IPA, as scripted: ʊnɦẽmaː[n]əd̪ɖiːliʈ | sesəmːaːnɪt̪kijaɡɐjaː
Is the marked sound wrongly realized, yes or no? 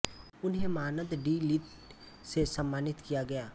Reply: no